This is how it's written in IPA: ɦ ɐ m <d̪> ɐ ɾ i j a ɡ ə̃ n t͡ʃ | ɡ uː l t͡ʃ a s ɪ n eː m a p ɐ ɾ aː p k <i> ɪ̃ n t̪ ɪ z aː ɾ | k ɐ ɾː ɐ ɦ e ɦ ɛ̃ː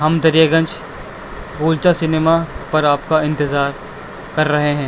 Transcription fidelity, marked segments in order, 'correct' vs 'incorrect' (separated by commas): correct, incorrect